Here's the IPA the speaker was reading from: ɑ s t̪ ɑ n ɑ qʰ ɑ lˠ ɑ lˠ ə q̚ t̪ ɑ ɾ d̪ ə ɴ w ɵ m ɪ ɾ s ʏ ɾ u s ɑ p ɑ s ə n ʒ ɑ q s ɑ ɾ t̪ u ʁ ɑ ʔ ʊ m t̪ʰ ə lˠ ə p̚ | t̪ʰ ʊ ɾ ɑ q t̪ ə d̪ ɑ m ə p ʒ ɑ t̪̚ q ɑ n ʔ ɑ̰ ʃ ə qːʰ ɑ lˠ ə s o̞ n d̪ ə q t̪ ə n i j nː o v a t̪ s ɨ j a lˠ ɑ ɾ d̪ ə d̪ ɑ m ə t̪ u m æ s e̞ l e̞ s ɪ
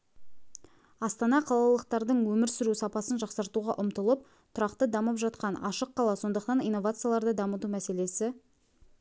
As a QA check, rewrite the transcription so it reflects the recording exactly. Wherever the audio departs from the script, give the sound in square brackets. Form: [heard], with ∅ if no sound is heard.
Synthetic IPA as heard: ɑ s t̪ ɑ n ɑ qʰ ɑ lˠ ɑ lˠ ə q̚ t̪ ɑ ɾ d̪ ə ɴ w ɵ m ɪ ɾ s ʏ ɾ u s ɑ p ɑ s ə n ʒ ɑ q s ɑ ɾ t̪ u ʁ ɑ ʔ ʊ m [t̪] ə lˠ ə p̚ | t̪ʰ ʊ ɾ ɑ q t̪ ə d̪ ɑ m ə p ʒ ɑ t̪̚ q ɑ n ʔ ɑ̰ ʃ ə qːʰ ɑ lˠ [ɑ] s o̞ n d̪ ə q t̪ [ɑ] n i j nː o v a t̪ s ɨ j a lˠ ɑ ɾ d̪ ə d̪ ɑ m ə t̪ u m æ s e̞ l e̞ s ɪ